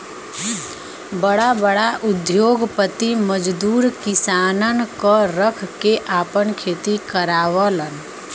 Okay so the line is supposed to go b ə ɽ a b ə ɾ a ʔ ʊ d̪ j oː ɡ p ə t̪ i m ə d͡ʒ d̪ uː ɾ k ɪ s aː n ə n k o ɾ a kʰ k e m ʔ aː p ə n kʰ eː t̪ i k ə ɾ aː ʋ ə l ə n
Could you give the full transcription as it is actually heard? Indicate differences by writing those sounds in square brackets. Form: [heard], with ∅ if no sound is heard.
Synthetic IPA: b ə ɽ a b ə [ɽ] a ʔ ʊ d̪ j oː ɡ p ə t̪ i m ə d͡ʒ d̪ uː ɾ k ɪ s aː n ə n k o ɾ [ə] kʰ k e [∅] ʔ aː p ə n kʰ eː t̪ i k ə ɾ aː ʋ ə l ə n